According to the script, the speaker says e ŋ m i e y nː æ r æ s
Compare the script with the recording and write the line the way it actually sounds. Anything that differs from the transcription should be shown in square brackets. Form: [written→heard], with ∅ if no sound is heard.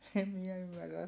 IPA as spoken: e [ŋ→m] m i [e→ɛ] y [nː→mː] æ [r→rː] æ s